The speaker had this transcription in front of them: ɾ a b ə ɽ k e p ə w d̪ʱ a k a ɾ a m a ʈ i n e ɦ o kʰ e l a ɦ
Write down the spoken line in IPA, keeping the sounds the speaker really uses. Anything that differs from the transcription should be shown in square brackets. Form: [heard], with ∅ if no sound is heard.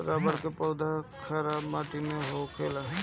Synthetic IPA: ɾ a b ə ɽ k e p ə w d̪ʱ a [kʰ] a ɾ a m a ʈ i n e ɦ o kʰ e l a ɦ